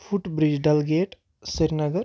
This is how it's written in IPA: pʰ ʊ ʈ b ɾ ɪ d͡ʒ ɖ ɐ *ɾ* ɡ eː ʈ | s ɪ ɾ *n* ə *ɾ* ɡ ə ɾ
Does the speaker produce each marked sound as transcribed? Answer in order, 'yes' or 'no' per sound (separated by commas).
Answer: no, yes, no